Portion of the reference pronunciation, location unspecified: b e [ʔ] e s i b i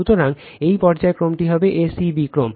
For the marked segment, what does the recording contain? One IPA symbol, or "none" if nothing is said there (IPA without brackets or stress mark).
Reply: ʔ